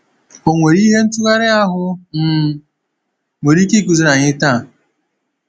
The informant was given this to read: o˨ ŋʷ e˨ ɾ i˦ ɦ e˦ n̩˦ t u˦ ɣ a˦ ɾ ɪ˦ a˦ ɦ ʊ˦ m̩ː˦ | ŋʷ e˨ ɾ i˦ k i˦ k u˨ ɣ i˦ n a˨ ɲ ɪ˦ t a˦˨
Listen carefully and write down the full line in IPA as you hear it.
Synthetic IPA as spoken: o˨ ŋʷ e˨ ɾ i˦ ɦ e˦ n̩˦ t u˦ ɣ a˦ ɾ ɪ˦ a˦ ɦ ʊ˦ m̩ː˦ | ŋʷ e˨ ɾ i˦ k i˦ k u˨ z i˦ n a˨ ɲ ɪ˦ t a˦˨